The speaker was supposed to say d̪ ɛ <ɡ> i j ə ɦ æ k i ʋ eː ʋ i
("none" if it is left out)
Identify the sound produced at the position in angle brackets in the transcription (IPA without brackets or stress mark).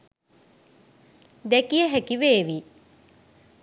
k